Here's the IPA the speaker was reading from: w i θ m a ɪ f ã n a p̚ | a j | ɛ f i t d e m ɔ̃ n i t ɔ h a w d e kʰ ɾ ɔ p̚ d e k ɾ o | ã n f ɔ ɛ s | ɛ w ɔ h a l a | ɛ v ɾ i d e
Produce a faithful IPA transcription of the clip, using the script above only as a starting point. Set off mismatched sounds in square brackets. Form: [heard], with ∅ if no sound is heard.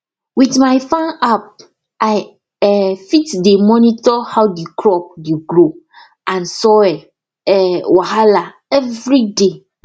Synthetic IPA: w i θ m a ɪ f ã n a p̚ | a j | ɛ f i t d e m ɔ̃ n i t ɔ h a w d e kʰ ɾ ɔ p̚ d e [ɡ] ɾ o | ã n [s] ɔ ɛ [∅] | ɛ w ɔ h a l a | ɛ v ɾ i d e